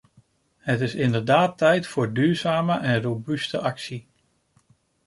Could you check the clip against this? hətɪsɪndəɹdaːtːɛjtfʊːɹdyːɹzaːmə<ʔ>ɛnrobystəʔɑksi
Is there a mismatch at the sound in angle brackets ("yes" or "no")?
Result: no